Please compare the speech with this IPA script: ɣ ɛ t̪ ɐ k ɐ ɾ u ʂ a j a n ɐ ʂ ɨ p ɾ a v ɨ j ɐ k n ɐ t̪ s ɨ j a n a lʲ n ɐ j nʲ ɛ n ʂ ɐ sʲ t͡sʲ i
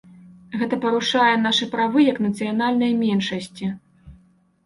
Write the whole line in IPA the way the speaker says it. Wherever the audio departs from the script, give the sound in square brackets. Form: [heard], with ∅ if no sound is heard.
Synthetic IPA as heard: ɣ ɛ t̪ ɐ [p] ɐ ɾ u ʂ a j [ɛ] n [a] ʂ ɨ p ɾ a v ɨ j ɐ k n ɐ t̪ s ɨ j a n a lʲ n ɐ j [mʲ] ɛ n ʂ ɐ sʲ t͡sʲ i